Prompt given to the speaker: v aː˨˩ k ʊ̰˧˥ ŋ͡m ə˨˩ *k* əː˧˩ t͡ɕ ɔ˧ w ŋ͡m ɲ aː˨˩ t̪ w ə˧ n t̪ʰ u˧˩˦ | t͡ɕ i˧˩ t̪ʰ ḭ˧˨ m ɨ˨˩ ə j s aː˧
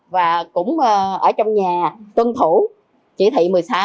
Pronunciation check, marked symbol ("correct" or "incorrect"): incorrect